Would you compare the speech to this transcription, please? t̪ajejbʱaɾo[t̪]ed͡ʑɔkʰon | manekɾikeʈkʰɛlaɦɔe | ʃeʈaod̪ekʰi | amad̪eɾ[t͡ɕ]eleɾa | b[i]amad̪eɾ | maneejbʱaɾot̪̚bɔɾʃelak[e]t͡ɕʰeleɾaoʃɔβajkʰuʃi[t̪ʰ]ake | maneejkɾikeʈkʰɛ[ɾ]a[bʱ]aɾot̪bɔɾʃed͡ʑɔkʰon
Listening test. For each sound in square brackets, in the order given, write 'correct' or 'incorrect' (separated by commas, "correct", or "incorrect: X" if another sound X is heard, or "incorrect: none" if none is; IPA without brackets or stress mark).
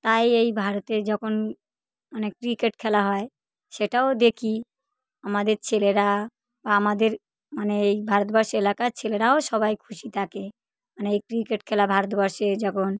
correct, incorrect: t͡ɕʰ, incorrect: a, incorrect: a, correct, incorrect: l, correct